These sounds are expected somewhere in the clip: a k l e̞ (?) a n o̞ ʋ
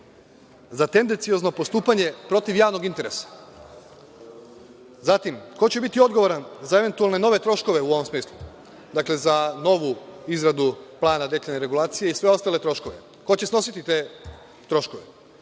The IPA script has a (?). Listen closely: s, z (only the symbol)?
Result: z